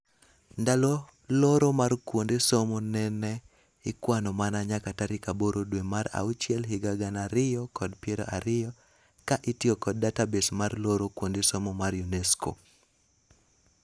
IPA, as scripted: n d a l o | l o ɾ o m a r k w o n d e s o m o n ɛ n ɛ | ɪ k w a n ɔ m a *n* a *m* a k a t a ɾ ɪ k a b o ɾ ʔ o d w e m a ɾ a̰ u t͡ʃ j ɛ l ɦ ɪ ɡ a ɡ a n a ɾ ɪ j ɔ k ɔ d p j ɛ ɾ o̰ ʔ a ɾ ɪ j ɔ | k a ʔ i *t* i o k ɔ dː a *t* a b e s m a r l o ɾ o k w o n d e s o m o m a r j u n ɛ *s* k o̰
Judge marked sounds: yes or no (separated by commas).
yes, no, yes, yes, yes